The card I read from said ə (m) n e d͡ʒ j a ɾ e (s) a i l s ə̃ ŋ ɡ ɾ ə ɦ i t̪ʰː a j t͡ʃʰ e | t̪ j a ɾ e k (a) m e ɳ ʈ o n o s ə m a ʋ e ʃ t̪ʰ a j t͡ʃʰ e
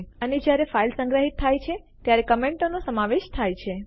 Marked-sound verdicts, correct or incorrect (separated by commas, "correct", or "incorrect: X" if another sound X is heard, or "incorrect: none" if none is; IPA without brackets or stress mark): incorrect: none, incorrect: f, incorrect: ə